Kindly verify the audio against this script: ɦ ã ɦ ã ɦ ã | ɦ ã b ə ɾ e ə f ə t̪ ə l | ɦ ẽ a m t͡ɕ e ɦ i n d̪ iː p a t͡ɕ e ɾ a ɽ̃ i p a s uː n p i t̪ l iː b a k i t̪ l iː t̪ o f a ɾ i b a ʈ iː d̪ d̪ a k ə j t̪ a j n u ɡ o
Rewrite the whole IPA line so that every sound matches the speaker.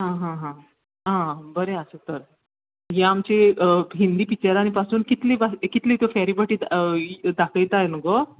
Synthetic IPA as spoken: ɦ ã ɦ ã ɦ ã | ɦ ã b ə ɾ e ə s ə t̪ ə ɾ | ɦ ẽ a m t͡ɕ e ɦ i n d̪ iː p i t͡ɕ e ɾ a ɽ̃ i p a s uː n k i t̪ l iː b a k i t̪ l iː t̪ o f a ɾ i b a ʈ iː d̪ d̪ a k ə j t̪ a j n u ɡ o